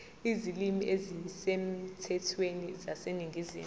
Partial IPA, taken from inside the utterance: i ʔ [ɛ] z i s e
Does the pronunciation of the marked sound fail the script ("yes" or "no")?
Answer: yes